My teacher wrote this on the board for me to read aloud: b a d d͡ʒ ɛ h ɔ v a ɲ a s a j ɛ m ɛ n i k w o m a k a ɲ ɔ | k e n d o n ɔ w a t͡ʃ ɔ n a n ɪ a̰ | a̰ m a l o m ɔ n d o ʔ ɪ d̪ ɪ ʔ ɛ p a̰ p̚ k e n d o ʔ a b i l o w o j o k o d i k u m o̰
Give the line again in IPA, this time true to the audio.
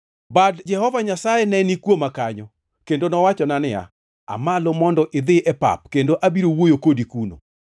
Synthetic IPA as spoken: b a d d͡ʒ ɛ h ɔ v a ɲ a s a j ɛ n ɛ n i k w o m a k a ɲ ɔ | k e n d o n ɔ w a t͡ʃ ɔ n a n ɪ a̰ | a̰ m a l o m ɔ n d ɔ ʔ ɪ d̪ ɪ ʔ ɛ p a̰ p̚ k e n d o ʔ a b i ɾ o w o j o k o d i k u n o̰